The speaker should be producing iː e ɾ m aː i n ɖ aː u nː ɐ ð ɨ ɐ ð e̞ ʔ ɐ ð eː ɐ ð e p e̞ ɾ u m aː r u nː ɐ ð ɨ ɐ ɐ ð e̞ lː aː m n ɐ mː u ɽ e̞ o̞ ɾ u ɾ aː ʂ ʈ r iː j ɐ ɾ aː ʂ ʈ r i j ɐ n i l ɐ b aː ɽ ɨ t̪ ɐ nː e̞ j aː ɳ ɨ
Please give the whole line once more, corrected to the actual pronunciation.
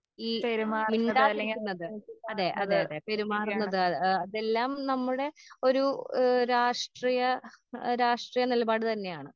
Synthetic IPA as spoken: iː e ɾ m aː i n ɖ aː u nː ɐ ð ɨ ɐ ð e̞ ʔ ɐ ð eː ɐ ð e p e̞ ɾ u m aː r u nː ɐ ð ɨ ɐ ɐ ð e̞ lː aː m n ɐ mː u ɽ e̞ o̞ ɾ u ɾ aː ʂ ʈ r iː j ɐ ɾ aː ʂ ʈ r i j ɐ n i l ɐ b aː ɽ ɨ t̪ ɐ nː e̞ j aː ɳ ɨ